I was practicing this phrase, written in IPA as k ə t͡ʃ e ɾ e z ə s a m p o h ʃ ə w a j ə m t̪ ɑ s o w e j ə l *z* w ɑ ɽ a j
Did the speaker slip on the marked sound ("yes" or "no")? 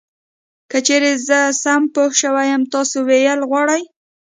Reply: yes